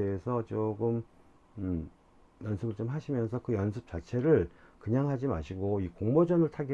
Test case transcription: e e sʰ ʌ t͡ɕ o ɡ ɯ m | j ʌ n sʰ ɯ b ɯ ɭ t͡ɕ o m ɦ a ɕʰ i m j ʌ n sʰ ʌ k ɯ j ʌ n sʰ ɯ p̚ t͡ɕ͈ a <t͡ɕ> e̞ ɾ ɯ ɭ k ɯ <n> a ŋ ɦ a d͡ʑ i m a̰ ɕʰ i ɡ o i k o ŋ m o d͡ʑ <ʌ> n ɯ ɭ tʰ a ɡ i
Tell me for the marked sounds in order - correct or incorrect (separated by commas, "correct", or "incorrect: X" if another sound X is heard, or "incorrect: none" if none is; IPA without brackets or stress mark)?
incorrect: t͡ɕʰ, incorrect: ɲ, correct